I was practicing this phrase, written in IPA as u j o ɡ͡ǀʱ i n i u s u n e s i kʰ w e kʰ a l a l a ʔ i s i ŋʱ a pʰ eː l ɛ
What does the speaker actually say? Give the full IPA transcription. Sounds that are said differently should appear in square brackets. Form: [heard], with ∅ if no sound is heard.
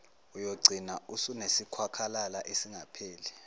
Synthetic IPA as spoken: u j o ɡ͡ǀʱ i n [a] u s u n e s i kʰ w [a] kʰ a l a l a ʔ [e] s i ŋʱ a pʰ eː l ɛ

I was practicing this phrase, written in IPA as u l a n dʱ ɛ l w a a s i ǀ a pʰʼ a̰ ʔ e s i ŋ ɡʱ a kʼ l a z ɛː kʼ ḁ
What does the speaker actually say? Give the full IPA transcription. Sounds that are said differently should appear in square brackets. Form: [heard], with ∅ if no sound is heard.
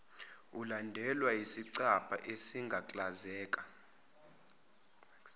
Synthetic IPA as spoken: u l a n dʱ ɛ l w a [i] s i ǀ a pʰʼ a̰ ʔ e s i ŋ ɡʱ a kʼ l a z ɛː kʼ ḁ

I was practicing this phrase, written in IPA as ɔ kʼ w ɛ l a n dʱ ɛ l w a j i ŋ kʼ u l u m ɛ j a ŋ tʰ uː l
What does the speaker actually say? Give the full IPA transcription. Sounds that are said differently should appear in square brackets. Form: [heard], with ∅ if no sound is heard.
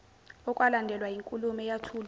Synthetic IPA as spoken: ɔ kʼ w [a] l a n dʱ ɛ l w a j i ŋ kʼ u l u m ɛ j a [∅] tʰ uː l

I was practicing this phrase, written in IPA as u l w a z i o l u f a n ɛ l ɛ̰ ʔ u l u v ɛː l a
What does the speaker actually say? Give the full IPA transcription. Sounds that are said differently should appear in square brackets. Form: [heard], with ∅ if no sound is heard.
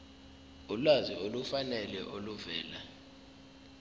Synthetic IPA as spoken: u l w a z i o l u f a n ɛ l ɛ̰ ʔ [o] l u v ɛː l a

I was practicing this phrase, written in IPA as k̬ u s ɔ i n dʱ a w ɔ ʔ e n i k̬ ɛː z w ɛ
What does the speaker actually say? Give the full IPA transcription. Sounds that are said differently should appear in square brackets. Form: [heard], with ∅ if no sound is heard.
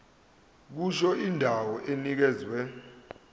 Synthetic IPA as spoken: k̬ u [ʃ] ɔ i n dʱ a w ɔ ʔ e n i k̬ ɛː z w ɛ

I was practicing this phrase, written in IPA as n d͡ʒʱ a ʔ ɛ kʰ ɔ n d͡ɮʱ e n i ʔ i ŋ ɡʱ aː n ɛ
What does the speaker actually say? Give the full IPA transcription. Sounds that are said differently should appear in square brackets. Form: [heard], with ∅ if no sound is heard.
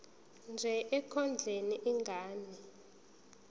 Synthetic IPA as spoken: n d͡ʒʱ [ɛ] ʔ ɛ kʰ ɔ n d͡ɮʱ e n i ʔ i ŋ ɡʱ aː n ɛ

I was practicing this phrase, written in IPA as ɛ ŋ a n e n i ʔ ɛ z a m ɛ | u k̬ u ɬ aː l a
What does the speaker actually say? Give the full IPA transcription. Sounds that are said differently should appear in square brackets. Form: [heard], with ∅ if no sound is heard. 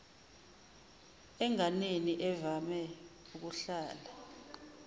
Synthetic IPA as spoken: ɛ ŋ a n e n i ʔ ɛ [v] a m ɛ | u k̬ u ɬ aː l a

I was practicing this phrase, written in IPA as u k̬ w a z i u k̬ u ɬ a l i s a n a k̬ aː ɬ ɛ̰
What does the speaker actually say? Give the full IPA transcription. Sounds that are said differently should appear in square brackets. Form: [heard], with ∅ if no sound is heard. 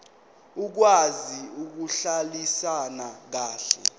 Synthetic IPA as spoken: u k̬ w a z i u k̬ u ɬ a l i s a n a k̬ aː ɬ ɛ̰

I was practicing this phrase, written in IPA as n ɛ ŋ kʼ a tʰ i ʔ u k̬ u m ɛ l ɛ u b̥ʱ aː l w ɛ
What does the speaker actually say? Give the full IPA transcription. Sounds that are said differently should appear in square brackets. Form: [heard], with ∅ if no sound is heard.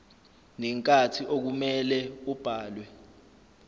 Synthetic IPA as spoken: n ɛ ŋ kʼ a tʰ i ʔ [o] k̬ u m ɛ l ɛ u b̥ʱ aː l w ɛ

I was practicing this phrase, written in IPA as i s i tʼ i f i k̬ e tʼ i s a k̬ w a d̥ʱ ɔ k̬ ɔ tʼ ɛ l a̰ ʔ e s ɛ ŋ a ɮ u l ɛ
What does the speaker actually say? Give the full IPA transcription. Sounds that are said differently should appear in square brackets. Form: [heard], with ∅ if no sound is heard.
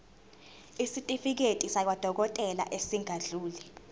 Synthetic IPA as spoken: i s i tʼ i f i k̬ e tʼ i s a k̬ w a d̥ʱ ɔ k̬ ɔ tʼ ɛ l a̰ ʔ e s [i] ŋ a ɮ [uː] l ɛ

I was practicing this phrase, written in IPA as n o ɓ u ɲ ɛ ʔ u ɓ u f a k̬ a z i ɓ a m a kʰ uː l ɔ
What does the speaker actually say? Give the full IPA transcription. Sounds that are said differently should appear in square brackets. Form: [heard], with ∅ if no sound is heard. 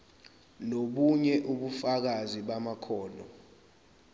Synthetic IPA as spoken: n o ɓ u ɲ ɛ ʔ u ɓ u f a k̬ a z i ɓ a m a kʰ [ɔː] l ɔ

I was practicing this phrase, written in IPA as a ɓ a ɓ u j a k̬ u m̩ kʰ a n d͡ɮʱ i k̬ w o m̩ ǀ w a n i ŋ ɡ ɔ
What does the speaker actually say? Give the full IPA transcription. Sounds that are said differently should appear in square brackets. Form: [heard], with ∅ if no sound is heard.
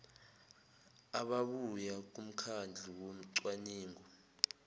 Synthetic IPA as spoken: a ɓ a ɓ u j a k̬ u m̩ kʰ a n d͡ɮʱ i [∅] w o m̩ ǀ w a n [iː] ŋ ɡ ɔ

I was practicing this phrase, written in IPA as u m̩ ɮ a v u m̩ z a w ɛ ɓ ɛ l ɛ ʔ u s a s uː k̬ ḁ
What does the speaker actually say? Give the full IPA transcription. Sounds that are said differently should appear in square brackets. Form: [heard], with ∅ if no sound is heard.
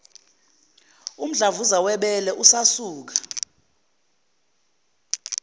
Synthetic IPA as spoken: u m̩ ɮ a v u [∅] z a w ɛ ɓ ɛ l ɛ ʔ u s a s uː k̬ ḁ

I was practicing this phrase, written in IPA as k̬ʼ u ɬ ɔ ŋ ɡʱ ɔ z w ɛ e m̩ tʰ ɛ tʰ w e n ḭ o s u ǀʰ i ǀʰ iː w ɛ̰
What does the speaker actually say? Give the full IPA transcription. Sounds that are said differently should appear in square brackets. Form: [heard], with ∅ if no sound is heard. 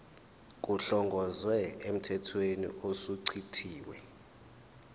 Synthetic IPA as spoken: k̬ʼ u ɬ ɔ ŋ ɡʱ ɔ z w ɛ e m̩ tʰ ɛ tʰ w e n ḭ o s u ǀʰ i ǀʰ iː w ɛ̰

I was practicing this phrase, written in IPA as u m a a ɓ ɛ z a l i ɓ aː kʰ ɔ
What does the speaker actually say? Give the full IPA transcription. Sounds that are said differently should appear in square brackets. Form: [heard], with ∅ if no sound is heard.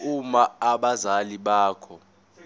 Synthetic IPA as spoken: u m a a ɓ [a] z a l i ɓ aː kʰ ɔ

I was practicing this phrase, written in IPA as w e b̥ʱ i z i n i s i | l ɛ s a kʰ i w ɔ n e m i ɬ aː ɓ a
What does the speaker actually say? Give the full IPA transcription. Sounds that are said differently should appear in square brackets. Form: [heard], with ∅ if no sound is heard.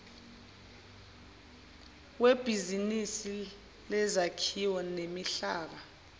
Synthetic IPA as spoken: w e b̥ʱ i z i n i s i | l ɛ [z] a kʰ i w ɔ n e m i ɬ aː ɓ a

